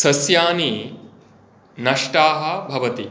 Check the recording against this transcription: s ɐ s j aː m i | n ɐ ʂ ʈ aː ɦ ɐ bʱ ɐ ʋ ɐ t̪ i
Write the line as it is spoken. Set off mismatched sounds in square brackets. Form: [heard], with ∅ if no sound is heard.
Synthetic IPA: s ɐ s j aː [n] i | n ɐ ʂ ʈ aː ɦ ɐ bʱ ɐ ʋ ɐ t̪ i